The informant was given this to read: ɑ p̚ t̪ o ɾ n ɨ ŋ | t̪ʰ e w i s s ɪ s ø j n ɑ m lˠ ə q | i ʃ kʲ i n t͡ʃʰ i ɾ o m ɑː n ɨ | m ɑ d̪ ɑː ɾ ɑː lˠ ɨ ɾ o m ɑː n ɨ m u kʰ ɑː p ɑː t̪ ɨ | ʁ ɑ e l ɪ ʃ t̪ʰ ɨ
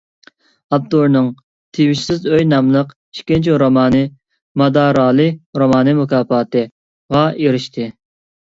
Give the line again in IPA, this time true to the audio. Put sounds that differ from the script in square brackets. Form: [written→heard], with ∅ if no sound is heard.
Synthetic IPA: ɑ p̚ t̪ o ɾ n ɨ ŋ | t̪ʰ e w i [s→ʃ] s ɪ [s→z] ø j n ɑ m lˠ ə q | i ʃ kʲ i n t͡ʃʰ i ɾ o m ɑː n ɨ | m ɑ d̪ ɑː ɾ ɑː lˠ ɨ ɾ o m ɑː n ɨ m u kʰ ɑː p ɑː t̪ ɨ | ʁ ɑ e [l→ɾ] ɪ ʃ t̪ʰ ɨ

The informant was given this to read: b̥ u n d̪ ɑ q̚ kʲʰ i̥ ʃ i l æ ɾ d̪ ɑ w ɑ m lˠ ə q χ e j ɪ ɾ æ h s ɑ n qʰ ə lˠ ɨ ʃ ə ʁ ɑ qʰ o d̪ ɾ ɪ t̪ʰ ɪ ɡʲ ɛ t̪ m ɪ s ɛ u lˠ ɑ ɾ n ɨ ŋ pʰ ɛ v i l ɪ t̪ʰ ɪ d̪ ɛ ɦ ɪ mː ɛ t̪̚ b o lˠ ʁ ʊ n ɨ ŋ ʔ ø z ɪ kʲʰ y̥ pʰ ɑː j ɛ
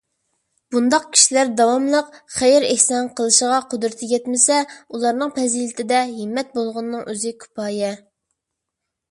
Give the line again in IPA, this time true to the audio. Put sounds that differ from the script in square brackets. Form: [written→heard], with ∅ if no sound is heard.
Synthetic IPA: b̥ u n d̪ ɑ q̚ kʲʰ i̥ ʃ i l æ ɾ d̪ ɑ w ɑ m lˠ ə q χ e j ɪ ɾ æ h s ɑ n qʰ ə lˠ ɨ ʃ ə ʁ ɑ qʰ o d̪ ɾ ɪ t̪ʰ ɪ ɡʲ ɛ t̪ m ɪ s ɛ u lˠ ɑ ɾ n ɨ ŋ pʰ ɛ [v→z] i l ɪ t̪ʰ ɪ d̪ ɛ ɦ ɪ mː ɛ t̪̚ b o lˠ ʁ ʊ [n→nː] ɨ ŋ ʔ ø z ɪ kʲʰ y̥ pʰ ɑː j ɛ

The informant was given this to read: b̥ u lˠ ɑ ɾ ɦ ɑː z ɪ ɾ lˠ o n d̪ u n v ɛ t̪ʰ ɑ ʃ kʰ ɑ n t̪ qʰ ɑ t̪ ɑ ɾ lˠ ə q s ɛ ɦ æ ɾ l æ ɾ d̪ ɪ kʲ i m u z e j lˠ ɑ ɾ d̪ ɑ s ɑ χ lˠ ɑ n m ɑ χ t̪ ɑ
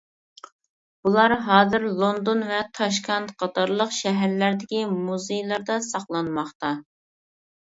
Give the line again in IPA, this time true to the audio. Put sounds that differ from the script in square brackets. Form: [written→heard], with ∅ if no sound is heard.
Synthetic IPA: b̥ u lˠ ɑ ɾ ɦ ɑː z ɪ ɾ lˠ o n d̪ [u→o] n v ɛ t̪ʰ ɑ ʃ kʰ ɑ n t̪ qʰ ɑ t̪ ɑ ɾ lˠ ə q [s→ʃ] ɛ ɦ æ ɾ l æ ɾ d̪ ɪ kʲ i m u z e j lˠ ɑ ɾ d̪ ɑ s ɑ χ lˠ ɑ n m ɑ χ t̪ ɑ

